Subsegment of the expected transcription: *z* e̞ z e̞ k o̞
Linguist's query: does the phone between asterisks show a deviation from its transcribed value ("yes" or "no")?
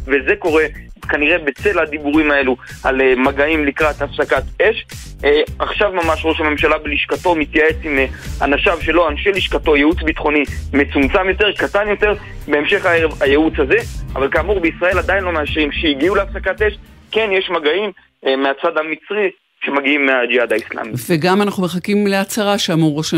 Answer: yes